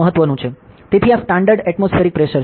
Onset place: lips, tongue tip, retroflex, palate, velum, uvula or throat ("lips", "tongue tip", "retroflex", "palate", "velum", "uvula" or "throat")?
throat